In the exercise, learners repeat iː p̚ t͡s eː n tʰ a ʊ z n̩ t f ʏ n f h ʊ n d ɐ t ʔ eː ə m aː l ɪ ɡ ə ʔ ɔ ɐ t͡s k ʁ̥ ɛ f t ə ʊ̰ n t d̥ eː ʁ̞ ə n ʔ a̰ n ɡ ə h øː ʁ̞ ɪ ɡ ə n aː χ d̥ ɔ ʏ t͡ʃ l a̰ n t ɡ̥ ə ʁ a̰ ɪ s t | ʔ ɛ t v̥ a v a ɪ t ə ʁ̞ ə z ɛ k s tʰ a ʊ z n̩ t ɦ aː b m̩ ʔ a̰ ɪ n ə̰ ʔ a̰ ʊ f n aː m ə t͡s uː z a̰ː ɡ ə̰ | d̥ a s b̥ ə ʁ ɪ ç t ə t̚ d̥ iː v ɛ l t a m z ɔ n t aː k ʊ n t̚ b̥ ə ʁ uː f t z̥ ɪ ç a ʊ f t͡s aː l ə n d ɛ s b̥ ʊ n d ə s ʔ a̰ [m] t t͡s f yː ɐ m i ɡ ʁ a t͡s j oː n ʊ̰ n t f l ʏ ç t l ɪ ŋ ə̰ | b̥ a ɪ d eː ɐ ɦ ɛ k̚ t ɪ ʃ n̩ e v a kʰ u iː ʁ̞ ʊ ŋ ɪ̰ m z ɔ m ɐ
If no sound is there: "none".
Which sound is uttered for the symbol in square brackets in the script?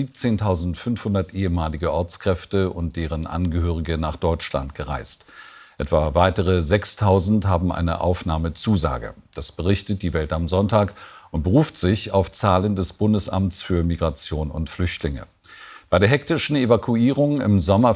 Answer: m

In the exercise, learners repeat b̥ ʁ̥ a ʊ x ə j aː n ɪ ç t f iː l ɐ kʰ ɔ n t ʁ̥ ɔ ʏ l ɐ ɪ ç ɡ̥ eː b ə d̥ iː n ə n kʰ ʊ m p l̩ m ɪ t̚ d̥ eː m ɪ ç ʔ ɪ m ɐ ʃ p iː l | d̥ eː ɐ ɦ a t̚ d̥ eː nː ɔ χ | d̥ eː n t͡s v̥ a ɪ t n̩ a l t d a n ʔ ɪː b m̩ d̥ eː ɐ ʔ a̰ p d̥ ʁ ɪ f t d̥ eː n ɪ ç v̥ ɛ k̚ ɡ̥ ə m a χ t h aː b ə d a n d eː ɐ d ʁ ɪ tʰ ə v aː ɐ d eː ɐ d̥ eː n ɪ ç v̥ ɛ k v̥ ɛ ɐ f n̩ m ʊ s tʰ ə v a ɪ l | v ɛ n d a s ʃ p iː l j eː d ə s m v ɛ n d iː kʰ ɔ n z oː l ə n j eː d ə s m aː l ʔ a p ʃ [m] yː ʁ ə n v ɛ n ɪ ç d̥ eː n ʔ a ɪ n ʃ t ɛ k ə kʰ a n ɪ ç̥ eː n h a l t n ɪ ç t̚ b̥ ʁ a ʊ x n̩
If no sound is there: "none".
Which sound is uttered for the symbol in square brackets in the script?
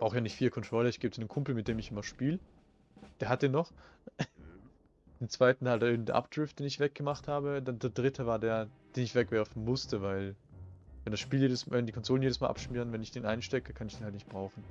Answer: m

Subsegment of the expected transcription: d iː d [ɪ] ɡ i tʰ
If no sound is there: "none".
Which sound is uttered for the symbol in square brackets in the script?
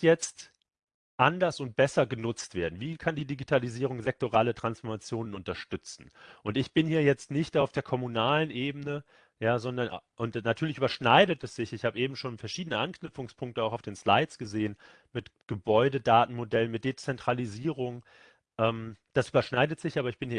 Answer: i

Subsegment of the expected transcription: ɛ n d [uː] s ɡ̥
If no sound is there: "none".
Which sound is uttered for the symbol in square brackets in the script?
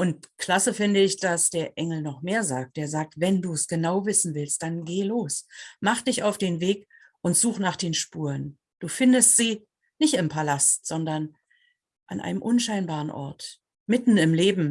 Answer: uː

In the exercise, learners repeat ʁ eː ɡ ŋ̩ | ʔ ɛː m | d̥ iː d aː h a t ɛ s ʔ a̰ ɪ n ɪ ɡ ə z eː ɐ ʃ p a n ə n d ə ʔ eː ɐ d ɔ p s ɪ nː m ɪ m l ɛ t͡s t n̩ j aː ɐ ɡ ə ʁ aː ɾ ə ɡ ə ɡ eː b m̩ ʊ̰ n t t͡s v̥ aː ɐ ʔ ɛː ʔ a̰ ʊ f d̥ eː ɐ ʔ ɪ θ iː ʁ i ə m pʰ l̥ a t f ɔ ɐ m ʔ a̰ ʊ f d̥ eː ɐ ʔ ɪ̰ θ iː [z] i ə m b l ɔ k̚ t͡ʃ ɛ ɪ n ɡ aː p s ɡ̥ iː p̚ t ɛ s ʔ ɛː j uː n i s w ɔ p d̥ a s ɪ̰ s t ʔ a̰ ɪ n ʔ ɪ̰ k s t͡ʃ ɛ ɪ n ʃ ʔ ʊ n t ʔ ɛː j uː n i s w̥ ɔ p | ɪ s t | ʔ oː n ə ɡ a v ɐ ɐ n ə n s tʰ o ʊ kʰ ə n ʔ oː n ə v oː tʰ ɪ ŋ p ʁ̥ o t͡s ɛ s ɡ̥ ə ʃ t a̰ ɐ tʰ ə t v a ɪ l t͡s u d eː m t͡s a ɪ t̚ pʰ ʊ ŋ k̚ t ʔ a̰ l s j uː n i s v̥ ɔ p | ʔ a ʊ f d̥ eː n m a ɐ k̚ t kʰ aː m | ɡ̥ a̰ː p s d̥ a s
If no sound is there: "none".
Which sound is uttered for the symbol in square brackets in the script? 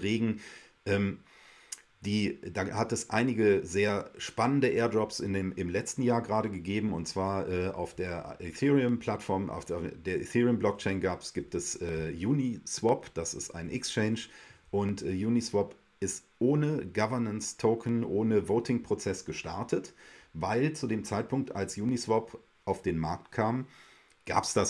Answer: ʁ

